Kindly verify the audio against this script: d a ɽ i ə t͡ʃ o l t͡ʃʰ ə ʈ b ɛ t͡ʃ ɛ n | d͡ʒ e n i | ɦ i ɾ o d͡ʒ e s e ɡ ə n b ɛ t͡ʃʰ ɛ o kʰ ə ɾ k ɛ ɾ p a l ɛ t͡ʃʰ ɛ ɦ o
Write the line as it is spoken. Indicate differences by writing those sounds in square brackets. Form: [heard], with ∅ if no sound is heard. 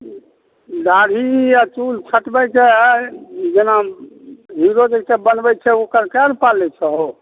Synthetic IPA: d a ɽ i [a] t͡ʃ [u] l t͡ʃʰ ə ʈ b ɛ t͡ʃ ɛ [∅] | d͡ʒ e n [a] | ɦ i ɾ o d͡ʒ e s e [b] ə n b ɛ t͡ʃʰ ɛ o [k] ə ɾ k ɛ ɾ p a l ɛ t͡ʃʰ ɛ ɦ o